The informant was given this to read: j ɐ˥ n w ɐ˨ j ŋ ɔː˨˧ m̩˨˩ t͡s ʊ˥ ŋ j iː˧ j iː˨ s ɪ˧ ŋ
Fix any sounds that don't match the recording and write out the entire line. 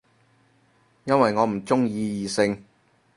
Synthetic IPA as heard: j ɐ˥ n w ɐ˨ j ŋ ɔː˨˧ m̩˨˩ t͡s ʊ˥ ŋ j iː˧ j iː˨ s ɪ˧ ŋ